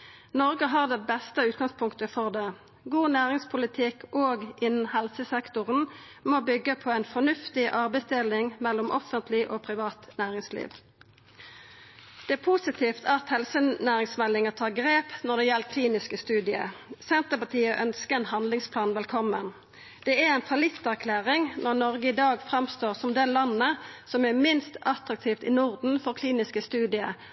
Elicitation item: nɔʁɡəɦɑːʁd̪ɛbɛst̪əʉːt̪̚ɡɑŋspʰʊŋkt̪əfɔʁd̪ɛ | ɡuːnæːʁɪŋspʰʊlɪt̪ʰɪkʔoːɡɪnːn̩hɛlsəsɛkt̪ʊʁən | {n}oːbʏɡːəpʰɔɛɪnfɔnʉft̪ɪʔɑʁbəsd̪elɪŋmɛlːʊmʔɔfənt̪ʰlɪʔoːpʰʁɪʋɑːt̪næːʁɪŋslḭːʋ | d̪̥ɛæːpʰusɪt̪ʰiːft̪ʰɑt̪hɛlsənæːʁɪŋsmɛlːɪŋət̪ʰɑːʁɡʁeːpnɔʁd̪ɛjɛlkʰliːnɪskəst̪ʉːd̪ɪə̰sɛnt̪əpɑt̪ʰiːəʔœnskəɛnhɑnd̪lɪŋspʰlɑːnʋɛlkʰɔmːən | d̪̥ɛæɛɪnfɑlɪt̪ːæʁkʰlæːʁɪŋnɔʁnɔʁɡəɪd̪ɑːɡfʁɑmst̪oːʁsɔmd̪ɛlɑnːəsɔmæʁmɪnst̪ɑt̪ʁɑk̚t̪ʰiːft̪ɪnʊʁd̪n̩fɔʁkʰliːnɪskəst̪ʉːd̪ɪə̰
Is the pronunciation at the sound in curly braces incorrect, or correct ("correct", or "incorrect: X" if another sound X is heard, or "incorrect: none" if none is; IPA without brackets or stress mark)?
incorrect: m